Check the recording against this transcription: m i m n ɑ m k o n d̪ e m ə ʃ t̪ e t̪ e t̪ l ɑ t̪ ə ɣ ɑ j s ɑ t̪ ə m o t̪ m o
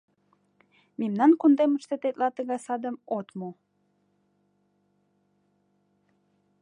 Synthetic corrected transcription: m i m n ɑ n k u n d̪ e m ə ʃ t̪ e t̪ e t̪ l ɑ t̪ ə ɣ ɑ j s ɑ d̪ ə m o t̪ m o